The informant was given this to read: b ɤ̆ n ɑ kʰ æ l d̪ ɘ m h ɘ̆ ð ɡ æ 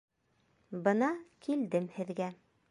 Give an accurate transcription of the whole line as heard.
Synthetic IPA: b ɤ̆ n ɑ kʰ i l d̪ ɘ m h ɘ̆ ð ɡ æ